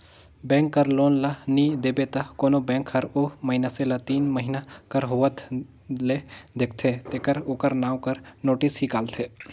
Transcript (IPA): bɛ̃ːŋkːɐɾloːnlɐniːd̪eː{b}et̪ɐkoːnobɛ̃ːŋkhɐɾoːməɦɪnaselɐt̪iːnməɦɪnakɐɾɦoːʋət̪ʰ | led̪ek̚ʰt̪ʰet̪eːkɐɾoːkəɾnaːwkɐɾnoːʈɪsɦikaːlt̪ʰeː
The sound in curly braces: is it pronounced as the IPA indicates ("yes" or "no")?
yes